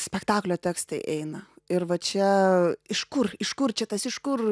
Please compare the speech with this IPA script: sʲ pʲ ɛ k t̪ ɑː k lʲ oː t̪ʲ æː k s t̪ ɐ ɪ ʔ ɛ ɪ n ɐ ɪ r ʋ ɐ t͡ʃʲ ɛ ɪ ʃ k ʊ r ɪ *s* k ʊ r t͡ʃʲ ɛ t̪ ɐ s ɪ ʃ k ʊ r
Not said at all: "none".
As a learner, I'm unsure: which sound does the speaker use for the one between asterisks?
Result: ʃ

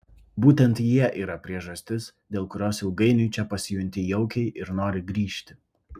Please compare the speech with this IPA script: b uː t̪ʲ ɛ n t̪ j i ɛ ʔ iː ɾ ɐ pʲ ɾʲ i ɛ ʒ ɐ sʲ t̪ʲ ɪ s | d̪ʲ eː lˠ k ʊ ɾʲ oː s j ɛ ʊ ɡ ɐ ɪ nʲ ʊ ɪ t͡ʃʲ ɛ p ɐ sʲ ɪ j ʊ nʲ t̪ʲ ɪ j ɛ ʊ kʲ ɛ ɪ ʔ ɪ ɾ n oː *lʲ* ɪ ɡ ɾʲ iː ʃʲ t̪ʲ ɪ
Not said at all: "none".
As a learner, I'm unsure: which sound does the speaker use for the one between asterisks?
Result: ɾʲ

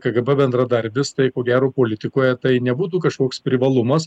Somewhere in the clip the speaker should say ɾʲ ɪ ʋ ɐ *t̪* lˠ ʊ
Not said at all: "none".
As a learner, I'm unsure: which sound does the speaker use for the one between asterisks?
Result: none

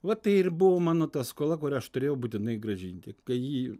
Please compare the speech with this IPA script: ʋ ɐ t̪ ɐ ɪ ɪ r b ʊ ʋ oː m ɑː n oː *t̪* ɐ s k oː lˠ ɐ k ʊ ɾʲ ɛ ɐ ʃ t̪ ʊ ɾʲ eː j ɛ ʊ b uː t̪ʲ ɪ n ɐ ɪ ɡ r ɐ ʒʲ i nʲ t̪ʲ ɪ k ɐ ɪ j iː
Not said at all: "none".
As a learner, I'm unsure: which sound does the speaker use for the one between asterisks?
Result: t̪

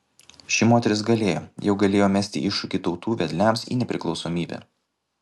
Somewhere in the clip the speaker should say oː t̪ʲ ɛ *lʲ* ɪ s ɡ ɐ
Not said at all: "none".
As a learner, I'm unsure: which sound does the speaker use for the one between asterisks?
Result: ɾʲ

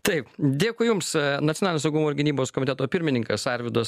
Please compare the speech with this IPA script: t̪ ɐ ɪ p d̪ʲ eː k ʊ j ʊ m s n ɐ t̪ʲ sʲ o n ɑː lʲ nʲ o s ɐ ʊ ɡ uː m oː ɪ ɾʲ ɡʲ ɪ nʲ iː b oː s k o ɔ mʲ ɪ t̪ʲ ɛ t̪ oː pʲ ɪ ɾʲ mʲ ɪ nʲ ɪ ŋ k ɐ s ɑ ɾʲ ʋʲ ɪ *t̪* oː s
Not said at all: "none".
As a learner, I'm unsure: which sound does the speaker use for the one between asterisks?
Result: d̪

